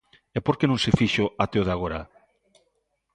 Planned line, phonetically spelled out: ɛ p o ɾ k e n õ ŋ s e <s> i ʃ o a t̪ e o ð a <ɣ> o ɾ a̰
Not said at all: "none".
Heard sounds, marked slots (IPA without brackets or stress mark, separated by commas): f, ɣ